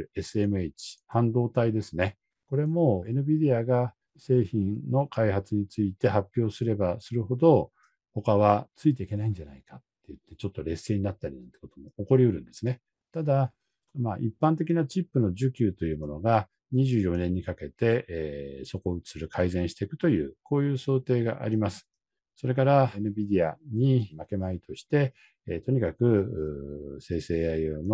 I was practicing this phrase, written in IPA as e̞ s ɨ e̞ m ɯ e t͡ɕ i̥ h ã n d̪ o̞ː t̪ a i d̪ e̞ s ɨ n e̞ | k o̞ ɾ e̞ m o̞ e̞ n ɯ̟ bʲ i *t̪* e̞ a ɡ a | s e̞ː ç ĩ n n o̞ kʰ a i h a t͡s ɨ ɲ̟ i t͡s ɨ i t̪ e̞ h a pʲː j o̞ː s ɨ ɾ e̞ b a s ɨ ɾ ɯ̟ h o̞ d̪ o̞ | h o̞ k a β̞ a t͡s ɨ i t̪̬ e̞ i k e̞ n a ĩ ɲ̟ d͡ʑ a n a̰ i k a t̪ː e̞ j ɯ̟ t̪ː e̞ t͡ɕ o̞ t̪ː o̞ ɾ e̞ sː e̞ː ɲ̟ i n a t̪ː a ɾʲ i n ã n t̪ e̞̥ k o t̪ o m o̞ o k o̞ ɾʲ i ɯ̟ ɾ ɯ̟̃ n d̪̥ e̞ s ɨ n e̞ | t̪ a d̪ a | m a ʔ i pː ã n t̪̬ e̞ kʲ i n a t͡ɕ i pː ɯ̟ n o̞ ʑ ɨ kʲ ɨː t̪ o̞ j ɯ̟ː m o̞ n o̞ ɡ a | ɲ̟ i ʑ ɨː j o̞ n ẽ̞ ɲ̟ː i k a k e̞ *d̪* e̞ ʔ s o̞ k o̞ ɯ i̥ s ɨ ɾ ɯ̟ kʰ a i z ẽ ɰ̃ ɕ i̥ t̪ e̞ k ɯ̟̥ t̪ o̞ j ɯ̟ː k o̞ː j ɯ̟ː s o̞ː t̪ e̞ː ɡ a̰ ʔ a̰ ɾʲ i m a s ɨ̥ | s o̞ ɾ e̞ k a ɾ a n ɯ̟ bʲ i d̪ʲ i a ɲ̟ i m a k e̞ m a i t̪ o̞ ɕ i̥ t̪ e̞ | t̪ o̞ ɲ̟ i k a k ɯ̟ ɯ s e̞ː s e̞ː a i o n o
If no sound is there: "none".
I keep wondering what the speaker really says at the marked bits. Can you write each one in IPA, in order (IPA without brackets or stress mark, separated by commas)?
d̪, t̪